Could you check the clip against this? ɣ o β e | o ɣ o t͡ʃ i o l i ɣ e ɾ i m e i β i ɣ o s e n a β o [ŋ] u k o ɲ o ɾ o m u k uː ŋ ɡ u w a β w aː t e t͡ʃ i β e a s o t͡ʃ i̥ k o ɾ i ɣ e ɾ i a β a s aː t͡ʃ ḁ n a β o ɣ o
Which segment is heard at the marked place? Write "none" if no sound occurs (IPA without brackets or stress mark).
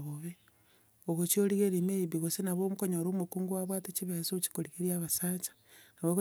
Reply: m